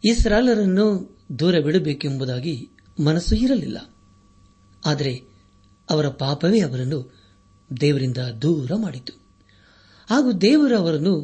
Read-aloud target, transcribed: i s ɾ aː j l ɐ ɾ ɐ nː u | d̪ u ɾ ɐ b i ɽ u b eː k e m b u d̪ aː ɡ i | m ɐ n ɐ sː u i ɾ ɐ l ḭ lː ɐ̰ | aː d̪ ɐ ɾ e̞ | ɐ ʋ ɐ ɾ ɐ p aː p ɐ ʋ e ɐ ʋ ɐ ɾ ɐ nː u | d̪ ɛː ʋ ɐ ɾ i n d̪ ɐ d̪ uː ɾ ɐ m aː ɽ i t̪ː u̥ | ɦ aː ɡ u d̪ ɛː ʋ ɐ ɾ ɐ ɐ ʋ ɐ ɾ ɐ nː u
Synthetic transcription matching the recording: i s ɾ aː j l ɐ ɾ ɐ nː u | d̪ uː ɾ ɐ b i ɽ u b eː k e m b u d̪ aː ɡ i | m ɐ n ɐ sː u i ɾ ɐ l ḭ lː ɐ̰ | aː d̪ ɐ ɾ e̞ | ɐ ʋ ɐ ɾ ɐ p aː p ɐ ʋ e ɐ ʋ ɐ ɾ ɐ nː u | d̪ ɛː ʋ ɐ ɾ i n d̪ ɐ d̪ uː ɾ ɐ m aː ɽ i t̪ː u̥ | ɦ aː ɡ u d̪ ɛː ʋ ɐ ɾ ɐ ɐ ʋ ɐ ɾ ɐ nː u